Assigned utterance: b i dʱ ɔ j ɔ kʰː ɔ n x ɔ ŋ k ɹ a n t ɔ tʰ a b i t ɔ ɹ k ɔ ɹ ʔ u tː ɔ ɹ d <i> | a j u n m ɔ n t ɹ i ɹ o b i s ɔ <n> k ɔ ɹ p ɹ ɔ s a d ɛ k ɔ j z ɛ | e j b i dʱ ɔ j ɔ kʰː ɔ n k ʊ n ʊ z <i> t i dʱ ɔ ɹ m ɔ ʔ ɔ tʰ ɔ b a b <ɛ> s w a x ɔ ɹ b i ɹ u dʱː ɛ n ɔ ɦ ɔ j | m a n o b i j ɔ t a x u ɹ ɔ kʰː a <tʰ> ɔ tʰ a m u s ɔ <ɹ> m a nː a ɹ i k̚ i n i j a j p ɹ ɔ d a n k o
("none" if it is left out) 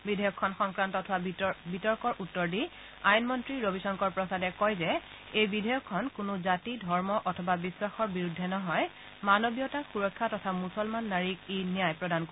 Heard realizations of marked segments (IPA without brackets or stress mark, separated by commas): i, ŋ, a, i, t, l